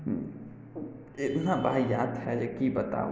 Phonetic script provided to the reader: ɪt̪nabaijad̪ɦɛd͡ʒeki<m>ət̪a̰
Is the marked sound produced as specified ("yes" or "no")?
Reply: no